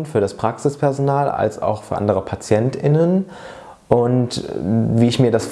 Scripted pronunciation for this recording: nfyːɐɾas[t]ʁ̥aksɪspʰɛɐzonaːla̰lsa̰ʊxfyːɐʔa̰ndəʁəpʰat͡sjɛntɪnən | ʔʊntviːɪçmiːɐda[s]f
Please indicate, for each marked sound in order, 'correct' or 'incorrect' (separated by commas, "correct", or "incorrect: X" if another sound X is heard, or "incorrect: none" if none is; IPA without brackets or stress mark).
incorrect: p, correct